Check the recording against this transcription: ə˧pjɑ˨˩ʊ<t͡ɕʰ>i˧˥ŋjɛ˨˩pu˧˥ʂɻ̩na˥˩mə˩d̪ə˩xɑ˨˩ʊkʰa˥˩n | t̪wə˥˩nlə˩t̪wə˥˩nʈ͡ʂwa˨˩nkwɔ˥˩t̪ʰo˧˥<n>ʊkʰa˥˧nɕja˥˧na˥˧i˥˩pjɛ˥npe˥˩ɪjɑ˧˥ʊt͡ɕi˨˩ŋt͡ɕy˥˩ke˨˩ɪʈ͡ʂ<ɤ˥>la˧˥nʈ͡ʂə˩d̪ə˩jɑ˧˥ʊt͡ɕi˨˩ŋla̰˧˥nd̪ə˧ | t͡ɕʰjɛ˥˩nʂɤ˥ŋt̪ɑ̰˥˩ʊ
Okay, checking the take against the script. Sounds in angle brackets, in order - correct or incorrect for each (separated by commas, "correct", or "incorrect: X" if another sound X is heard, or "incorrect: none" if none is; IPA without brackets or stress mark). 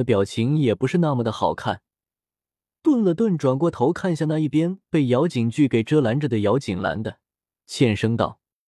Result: correct, incorrect: none, correct